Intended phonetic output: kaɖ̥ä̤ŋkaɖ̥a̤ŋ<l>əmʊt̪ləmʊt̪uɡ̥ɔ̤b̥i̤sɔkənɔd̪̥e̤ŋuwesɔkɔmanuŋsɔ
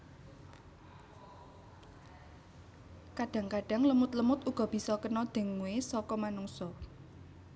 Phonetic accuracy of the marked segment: correct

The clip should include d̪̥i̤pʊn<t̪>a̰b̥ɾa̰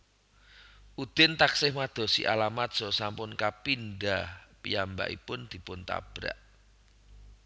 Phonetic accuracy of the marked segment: correct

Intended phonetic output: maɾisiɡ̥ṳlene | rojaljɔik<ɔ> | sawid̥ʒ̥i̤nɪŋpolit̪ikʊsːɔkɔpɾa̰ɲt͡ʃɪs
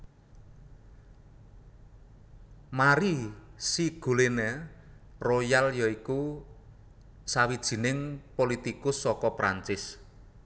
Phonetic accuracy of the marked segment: incorrect: u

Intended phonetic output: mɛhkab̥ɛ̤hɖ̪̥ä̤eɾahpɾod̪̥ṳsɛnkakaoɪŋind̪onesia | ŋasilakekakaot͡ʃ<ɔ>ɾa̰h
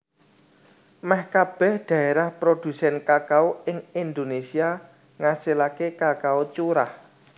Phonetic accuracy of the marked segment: incorrect: u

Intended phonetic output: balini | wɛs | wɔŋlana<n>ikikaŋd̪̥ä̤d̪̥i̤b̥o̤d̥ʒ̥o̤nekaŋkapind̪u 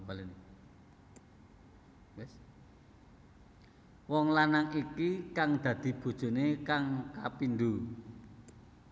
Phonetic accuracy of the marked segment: incorrect: ŋ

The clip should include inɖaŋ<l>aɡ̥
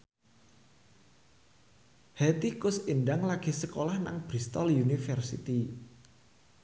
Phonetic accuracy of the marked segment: correct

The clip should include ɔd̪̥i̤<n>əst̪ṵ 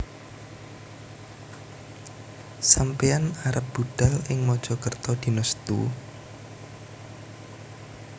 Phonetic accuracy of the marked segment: correct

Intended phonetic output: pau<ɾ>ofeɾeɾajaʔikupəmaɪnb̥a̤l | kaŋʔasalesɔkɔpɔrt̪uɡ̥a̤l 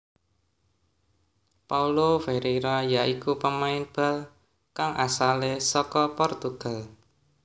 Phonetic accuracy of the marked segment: incorrect: l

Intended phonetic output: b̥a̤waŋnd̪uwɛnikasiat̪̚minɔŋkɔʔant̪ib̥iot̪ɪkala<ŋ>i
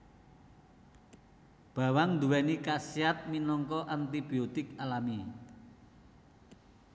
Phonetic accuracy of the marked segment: incorrect: m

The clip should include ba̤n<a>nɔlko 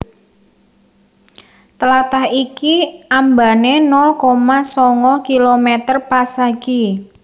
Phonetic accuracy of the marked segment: incorrect: e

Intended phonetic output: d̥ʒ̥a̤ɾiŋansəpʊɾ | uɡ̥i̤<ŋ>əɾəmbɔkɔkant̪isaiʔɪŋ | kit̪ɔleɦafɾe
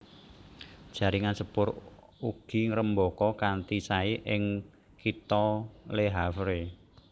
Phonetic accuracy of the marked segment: correct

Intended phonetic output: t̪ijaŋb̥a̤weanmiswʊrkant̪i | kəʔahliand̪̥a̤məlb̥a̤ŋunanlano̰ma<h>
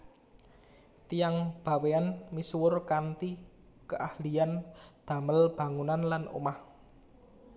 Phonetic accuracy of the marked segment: correct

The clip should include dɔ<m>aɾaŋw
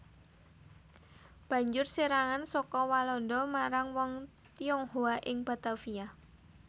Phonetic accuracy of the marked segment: correct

